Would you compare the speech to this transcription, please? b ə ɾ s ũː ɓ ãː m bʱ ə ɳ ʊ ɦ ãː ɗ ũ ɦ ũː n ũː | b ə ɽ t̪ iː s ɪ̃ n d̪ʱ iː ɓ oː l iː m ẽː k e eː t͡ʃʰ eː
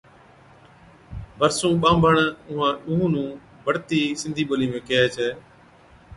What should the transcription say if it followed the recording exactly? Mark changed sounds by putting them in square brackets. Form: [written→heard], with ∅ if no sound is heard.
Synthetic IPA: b ə ɾ s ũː ɓ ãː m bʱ ə ɳ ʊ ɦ ãː ɗ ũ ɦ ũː n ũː | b ə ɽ t̪ iː s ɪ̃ n d̪ʱ iː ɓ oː l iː m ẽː k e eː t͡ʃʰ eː